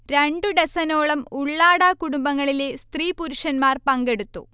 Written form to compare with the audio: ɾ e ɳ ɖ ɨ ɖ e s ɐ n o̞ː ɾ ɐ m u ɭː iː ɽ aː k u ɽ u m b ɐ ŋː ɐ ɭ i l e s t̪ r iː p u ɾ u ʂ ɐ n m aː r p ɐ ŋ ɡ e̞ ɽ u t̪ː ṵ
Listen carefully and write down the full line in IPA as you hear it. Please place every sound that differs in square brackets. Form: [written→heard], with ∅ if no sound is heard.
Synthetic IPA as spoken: ɾ e ɳ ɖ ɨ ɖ e s ɐ n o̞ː [ɾ→ɭ] ɐ m u ɭː [iː→aː] ɽ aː k u ɽ u m b ɐ ŋː ɐ ɭ i l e s t̪ r iː p u ɾ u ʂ ɐ n m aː r p ɐ ŋ ɡ e̞ ɽ u t̪ː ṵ